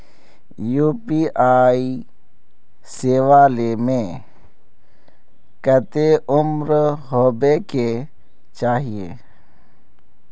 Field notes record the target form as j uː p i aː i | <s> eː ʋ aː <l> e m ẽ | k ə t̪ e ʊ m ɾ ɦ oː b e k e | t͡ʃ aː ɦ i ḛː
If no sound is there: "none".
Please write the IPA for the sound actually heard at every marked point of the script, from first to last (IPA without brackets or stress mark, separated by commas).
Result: s, l